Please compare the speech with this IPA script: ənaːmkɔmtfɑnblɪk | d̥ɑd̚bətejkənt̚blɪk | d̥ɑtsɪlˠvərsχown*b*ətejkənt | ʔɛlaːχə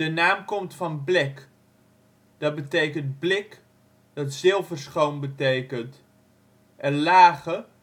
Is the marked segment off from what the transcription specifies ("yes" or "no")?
no